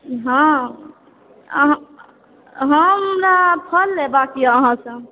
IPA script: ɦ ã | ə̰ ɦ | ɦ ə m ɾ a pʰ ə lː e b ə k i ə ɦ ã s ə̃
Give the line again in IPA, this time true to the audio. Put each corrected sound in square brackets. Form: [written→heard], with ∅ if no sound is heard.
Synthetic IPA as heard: ɦ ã | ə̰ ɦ | ɦ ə m ɾ a pʰ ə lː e b [ə→a] k i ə ɦ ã s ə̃